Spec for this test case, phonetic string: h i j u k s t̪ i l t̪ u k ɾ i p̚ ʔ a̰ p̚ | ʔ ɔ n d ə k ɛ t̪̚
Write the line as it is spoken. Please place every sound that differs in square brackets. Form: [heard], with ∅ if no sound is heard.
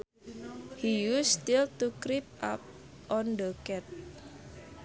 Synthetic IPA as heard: h i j u [∅] s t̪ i l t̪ u k ɾ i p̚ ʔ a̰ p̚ | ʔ ɔ n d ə k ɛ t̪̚